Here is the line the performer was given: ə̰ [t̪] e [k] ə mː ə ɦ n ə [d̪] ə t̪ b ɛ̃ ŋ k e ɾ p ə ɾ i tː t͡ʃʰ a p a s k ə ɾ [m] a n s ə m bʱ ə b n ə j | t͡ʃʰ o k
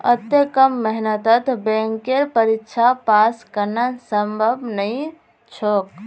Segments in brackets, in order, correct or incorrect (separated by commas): correct, correct, incorrect, incorrect